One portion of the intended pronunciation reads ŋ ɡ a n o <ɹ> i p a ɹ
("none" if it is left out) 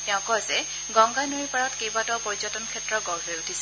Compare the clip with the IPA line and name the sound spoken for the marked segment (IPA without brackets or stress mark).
ɹ